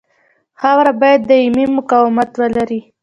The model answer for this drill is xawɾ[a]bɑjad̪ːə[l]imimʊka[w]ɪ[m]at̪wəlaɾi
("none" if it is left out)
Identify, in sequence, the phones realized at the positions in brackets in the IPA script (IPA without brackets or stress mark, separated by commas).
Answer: a, none, w, m